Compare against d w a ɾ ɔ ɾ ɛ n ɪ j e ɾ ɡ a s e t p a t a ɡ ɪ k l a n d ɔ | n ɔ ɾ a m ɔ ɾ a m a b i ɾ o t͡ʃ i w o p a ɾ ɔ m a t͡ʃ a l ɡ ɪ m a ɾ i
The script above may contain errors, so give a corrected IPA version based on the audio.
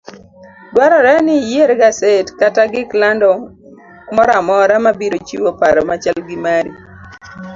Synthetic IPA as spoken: d w a ɾ ɔ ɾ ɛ n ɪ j e ɾ ɡ a s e t k a t a ɡ ɪ k l a n d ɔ | m ɔ ɾ a m ɔ ɾ a m a b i ɾ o t͡ʃ i w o p a ɾ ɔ m a t͡ʃ a l ɡ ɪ m a ɾ i